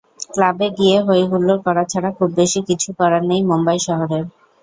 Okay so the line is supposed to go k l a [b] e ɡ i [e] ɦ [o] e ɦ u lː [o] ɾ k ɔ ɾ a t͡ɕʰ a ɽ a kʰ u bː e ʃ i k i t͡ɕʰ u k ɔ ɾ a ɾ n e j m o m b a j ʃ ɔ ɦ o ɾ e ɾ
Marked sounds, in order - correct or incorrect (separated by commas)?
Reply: correct, correct, correct, correct